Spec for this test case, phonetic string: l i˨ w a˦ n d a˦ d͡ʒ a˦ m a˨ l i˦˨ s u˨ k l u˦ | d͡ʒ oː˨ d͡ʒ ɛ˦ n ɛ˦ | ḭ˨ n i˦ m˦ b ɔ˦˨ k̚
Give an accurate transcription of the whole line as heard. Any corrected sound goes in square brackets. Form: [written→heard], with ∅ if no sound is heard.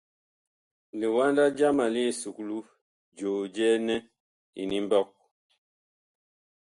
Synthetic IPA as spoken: l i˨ w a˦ n d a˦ d͡ʒ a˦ m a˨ l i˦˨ s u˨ k l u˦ | d͡ʒ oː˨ d͡ʒ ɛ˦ n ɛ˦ | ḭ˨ n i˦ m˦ b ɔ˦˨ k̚